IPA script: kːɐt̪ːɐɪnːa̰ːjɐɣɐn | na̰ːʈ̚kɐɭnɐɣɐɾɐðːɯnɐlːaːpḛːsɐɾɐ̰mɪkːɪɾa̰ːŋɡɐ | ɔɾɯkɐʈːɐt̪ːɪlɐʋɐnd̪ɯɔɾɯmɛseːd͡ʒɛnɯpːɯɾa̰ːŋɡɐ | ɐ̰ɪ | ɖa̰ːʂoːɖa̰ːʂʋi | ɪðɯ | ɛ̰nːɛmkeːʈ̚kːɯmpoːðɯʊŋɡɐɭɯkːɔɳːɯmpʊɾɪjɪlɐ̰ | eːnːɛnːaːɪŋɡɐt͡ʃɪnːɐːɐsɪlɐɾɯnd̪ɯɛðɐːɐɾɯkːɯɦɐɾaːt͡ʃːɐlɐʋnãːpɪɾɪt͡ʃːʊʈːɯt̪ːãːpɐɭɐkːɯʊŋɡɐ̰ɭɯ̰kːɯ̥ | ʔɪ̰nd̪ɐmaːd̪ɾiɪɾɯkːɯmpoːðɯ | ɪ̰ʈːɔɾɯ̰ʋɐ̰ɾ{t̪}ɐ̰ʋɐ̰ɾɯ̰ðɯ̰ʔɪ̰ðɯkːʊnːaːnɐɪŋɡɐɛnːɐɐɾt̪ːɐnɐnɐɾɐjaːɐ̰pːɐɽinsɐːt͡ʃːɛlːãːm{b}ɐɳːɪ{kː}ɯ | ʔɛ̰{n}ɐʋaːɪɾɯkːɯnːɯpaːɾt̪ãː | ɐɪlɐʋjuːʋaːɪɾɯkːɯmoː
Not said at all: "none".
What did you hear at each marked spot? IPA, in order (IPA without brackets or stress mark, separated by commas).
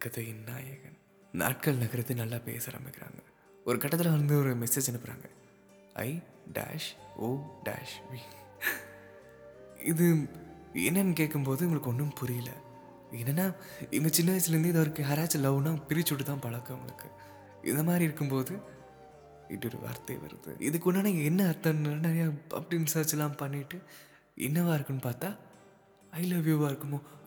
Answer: t̪, p, ʈː, nː